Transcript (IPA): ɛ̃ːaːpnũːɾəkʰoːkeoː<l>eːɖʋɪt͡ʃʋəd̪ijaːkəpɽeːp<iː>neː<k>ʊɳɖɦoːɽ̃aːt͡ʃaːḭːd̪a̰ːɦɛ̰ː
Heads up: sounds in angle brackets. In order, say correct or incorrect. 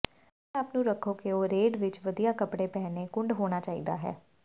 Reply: incorrect, incorrect, correct

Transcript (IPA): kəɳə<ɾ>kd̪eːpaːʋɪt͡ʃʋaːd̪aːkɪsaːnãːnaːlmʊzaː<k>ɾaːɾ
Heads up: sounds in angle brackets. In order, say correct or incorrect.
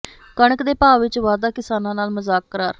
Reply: incorrect, correct

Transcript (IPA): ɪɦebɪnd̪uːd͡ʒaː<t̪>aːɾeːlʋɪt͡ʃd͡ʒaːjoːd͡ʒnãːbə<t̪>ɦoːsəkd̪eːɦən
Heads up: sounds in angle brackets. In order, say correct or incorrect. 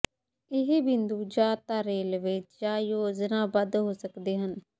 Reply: correct, incorrect

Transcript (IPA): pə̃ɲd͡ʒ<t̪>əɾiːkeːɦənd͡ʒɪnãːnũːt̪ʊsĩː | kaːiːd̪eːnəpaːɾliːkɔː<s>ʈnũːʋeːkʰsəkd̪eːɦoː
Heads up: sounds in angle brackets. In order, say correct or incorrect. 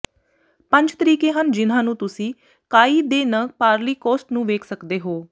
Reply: correct, correct

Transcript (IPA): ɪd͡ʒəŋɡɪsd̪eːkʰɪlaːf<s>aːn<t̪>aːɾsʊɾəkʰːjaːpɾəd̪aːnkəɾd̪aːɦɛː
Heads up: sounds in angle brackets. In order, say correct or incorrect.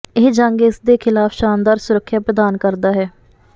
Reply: incorrect, incorrect

